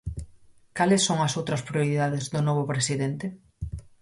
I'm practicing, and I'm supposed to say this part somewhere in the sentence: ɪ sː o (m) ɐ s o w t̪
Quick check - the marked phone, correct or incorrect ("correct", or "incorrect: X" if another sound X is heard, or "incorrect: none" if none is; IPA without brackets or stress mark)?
incorrect: ŋ